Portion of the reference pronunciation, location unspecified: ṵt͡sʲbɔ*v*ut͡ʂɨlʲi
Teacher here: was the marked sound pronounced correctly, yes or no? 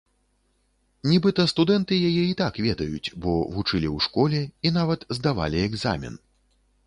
yes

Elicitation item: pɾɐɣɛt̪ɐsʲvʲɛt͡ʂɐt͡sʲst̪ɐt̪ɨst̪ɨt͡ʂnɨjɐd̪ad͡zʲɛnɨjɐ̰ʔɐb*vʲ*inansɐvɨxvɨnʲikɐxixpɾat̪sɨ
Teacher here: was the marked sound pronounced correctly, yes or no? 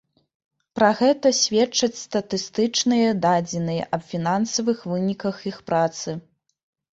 no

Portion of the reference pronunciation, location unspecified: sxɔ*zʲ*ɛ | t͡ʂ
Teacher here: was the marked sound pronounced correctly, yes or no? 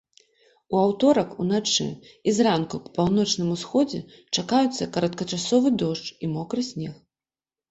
no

